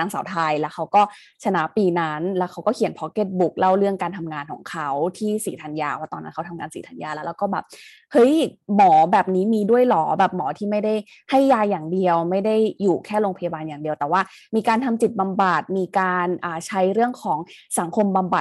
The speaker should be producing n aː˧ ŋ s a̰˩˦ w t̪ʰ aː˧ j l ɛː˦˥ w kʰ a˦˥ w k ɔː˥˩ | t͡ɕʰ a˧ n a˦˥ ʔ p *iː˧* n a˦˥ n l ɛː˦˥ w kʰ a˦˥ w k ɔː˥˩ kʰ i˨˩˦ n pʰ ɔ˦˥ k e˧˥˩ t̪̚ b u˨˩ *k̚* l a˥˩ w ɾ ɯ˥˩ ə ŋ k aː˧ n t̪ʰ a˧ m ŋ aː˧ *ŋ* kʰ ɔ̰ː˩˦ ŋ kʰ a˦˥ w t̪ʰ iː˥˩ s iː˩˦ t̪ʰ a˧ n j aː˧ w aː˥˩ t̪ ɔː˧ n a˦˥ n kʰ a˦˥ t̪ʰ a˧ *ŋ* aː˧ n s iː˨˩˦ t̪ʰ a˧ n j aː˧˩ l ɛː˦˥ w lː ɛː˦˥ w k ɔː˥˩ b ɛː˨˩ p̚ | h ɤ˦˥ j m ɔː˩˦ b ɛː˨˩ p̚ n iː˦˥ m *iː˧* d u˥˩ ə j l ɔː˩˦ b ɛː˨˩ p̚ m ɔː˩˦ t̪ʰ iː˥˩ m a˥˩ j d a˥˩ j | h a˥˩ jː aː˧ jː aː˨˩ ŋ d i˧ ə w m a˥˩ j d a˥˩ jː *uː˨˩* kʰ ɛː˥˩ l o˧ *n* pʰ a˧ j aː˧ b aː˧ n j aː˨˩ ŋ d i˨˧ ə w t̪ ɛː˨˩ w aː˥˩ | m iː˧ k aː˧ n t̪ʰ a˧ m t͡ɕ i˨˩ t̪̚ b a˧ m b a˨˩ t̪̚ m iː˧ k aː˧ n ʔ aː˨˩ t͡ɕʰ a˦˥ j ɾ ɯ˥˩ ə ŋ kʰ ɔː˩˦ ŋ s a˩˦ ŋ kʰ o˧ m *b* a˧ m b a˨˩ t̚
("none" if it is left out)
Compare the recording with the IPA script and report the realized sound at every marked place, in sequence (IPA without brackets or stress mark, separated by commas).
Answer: iː˧, k̚, n, ŋ, iː˧, uː˨˩, ŋ, b